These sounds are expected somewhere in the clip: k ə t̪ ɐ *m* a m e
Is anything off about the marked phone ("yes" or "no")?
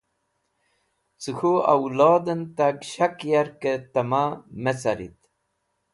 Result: no